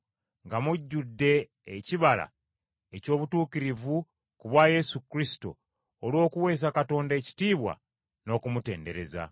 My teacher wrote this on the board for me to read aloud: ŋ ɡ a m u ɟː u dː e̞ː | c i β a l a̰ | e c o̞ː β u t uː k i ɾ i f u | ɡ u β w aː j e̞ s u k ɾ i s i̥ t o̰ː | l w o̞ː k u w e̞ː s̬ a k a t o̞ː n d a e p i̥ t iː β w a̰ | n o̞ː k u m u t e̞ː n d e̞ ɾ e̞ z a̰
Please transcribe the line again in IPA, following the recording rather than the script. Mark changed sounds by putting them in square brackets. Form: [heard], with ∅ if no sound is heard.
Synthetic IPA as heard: ŋ ɡ a m u ɟː u dː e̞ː | c i β a l a̰ | e c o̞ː β u t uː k i ɾ i [v] u | [k] u β w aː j e̞ s u k ɾ i s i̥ t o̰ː | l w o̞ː k u w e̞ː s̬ a k a t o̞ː n d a e [c] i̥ t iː β w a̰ | n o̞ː k u m u t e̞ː n d e̞ ɾ e̞ z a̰